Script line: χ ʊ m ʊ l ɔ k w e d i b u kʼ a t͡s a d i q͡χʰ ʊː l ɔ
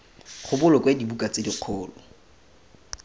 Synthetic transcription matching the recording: χ ʊ b ʊ l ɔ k w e d i b u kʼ a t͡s e d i q͡χʰ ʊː l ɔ